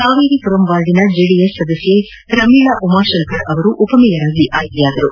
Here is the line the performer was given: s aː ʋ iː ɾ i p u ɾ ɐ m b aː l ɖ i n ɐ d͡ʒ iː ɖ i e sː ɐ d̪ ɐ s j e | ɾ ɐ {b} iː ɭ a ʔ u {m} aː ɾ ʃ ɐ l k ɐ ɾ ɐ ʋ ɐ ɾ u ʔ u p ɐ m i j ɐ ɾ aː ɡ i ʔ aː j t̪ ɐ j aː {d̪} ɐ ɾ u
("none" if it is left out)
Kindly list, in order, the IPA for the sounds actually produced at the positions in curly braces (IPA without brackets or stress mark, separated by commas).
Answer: m, m, d̪